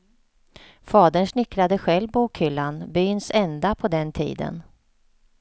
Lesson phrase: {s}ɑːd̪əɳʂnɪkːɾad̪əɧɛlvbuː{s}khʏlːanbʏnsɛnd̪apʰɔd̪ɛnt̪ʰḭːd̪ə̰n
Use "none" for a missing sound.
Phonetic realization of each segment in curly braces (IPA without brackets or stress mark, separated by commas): f, none